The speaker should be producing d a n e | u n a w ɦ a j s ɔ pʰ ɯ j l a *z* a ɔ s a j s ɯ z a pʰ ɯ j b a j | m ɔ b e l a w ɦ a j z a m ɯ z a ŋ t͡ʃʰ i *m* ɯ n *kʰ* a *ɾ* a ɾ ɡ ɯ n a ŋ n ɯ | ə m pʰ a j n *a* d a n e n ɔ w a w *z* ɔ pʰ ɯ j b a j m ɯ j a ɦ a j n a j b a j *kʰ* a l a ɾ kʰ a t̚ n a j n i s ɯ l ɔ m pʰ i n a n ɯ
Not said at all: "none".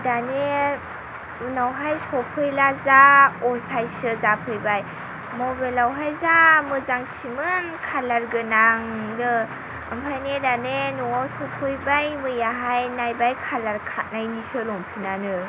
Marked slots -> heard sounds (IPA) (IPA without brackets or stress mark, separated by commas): z, m, kʰ, l, e, s, kʰ